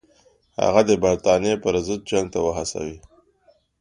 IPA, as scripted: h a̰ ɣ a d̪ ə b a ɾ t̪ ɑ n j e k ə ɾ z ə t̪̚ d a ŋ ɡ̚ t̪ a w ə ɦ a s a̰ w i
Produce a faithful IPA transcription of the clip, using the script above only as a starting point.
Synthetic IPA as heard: h a̰ ɣ a d̪ ə b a ɾ t̪ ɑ n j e p ə ɾ z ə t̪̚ d͡ʒ a ŋ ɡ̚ t̪ a w ə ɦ a s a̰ w i

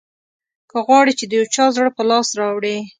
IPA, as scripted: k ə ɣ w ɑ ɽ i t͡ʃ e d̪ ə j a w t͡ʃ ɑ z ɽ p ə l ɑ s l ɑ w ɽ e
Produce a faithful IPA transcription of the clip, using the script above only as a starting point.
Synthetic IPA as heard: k ə ɣ w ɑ ɽ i t͡ʃ e d̪ ə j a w t͡ʃ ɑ z ɽ p ə l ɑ s ɾ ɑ w ɽ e

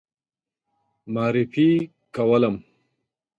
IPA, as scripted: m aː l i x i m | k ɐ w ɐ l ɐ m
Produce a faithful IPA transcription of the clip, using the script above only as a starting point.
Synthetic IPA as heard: m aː ɾ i f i | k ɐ w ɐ l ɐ m

